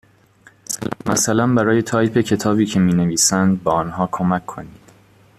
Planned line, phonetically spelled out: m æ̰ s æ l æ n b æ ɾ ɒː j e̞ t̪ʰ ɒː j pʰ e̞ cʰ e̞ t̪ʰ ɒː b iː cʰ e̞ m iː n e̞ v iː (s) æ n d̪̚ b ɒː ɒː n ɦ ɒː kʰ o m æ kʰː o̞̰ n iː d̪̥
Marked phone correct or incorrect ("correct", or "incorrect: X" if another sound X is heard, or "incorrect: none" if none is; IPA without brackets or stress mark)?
correct